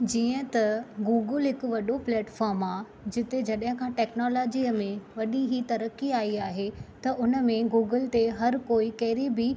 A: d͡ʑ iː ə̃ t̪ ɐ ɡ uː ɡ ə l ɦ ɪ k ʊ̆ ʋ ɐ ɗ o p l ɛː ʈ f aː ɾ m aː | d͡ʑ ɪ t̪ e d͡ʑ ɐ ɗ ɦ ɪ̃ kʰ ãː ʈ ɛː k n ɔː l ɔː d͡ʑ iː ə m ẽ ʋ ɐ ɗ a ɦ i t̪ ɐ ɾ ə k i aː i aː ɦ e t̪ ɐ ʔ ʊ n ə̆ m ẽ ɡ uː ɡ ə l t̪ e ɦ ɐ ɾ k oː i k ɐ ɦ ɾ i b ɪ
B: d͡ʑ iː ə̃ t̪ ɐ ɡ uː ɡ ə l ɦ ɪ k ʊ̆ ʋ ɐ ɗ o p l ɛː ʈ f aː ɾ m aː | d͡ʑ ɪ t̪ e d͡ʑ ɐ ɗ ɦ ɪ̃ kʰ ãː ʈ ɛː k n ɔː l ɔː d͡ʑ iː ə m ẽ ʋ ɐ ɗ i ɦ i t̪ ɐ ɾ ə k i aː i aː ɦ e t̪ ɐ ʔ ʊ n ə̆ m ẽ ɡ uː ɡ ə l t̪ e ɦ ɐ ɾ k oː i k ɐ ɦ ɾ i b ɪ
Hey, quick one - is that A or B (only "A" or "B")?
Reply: B